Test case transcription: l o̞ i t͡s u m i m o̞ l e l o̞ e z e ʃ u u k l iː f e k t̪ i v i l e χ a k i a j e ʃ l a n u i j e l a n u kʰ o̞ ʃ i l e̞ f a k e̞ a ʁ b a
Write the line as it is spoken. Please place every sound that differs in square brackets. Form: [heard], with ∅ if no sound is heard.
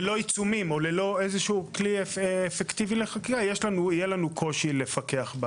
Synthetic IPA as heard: l o̞ i t͡s u m i m o̞ l e l o̞ e z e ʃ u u k l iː f e k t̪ i v i l e χ a k i a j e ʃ l a n u i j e l a n u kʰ o̞ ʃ i l e̞ f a k e̞ a [χ] b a